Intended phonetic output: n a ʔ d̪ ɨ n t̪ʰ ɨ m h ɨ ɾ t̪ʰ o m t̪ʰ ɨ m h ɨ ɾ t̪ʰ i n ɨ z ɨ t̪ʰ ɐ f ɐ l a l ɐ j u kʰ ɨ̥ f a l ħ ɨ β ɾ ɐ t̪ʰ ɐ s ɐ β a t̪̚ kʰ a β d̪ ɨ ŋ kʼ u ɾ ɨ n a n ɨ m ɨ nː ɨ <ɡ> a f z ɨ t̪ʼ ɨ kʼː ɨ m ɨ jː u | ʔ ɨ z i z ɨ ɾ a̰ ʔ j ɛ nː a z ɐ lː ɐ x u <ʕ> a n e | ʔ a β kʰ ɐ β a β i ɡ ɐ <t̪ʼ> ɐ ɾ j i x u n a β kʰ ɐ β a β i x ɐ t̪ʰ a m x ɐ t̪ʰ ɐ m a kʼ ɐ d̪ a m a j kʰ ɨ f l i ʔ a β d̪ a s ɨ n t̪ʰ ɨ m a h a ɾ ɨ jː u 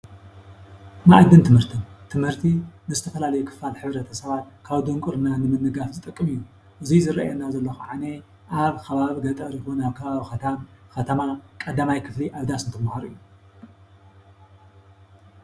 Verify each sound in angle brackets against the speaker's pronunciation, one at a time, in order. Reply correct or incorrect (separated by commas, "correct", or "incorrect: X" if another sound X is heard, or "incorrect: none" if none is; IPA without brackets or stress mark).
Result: correct, correct, correct